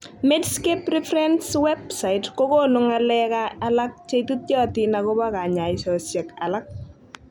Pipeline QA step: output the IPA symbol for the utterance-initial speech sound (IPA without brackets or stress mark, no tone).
m